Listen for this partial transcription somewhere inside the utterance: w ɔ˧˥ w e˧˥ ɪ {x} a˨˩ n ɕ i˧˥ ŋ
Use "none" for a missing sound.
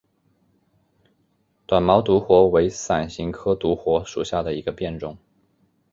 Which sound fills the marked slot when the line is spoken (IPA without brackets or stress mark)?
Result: s